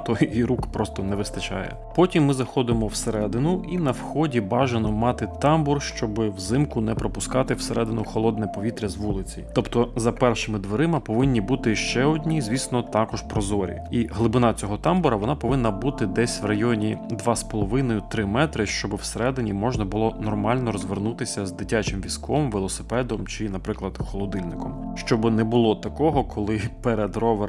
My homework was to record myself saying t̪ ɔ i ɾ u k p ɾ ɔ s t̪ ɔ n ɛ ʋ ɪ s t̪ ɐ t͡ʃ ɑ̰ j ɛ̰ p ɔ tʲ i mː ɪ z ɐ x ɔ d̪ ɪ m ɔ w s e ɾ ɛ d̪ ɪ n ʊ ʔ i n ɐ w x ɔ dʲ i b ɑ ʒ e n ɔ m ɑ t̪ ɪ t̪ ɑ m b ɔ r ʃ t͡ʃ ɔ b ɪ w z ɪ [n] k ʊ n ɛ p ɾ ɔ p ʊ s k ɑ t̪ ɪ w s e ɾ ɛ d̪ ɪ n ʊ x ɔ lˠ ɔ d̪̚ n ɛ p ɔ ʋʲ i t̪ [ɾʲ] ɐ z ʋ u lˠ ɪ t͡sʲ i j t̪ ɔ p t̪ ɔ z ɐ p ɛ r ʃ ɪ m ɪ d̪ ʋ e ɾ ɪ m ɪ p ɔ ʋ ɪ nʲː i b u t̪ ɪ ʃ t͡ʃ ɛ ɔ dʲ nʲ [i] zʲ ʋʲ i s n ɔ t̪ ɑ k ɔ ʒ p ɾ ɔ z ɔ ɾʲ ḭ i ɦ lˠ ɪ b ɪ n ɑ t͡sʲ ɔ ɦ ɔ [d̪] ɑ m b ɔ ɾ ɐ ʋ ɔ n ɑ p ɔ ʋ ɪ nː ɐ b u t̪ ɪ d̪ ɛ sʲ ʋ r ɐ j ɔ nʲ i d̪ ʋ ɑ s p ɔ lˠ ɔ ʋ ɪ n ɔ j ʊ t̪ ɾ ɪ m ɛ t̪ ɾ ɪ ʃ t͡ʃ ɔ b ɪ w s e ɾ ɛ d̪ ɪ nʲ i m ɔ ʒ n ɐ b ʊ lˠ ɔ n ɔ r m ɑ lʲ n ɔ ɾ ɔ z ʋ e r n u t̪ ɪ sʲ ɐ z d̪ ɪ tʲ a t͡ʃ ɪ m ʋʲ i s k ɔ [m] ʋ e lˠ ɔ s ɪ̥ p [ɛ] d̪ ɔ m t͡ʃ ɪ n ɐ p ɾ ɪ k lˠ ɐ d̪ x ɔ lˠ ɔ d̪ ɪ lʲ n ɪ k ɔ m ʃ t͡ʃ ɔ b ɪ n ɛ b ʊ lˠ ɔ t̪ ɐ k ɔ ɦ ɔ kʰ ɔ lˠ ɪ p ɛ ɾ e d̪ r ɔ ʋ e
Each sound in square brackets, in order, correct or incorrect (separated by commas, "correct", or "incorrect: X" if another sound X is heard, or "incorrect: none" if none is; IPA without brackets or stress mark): incorrect: m, correct, correct, incorrect: t̪, correct, correct